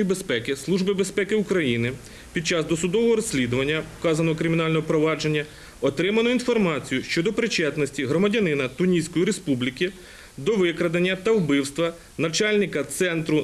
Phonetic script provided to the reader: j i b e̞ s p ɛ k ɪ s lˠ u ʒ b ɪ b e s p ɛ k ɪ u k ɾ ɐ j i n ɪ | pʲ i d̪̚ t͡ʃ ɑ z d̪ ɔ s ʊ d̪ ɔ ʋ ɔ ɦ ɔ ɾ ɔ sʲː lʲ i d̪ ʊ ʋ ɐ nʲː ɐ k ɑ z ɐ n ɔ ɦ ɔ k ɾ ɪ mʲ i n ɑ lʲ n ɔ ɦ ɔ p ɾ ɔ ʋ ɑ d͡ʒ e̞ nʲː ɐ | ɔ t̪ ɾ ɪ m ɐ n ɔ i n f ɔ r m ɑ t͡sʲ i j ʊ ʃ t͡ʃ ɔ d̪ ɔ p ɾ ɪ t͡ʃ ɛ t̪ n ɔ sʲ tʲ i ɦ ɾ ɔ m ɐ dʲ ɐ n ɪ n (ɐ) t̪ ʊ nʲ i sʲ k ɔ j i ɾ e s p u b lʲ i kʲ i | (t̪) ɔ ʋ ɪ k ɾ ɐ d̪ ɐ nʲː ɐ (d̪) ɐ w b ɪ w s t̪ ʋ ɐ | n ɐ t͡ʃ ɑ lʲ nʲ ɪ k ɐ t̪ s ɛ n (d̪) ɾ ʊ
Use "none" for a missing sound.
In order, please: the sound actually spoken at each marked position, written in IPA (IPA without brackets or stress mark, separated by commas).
ɐ, d̪, t̪, t̪